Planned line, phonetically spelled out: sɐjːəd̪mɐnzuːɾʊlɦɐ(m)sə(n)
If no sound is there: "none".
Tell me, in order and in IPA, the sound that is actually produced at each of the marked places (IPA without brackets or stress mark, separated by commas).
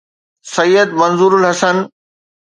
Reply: none, n